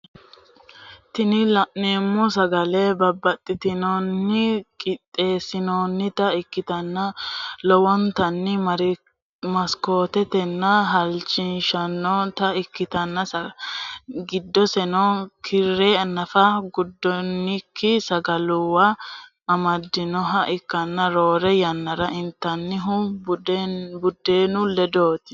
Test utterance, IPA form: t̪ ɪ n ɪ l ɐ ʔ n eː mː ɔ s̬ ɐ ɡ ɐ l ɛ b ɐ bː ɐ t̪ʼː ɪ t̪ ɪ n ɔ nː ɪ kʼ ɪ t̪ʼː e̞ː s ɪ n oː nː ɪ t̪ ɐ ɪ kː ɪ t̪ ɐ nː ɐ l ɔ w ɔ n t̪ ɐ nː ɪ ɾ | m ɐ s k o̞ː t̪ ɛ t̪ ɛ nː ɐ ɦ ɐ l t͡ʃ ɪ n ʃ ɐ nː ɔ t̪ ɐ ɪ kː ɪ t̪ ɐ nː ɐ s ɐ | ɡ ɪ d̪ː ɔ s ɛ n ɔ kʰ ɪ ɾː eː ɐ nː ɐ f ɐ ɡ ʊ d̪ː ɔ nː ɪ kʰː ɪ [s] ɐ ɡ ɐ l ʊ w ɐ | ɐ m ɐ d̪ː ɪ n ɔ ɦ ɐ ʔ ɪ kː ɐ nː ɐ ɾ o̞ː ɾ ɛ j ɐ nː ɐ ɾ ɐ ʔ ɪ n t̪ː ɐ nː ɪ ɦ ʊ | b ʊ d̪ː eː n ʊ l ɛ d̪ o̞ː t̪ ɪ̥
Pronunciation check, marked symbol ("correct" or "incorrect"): correct